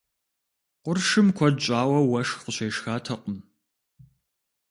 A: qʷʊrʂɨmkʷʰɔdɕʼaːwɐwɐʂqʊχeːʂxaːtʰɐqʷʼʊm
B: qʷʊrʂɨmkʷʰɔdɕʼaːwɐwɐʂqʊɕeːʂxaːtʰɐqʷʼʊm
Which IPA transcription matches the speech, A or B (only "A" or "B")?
B